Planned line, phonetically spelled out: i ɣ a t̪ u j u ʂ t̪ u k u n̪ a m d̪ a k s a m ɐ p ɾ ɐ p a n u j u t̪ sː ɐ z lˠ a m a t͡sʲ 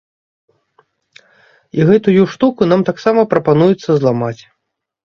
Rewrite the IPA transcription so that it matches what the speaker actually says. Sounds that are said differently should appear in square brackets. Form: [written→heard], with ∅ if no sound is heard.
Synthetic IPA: i ɣ [a→ɛ] t̪ u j u ʂ t̪ u k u n̪ a m [d̪→t̪] a k s a m ɐ p ɾ ɐ p a n u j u t̪ sː ɐ z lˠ a m a t͡sʲ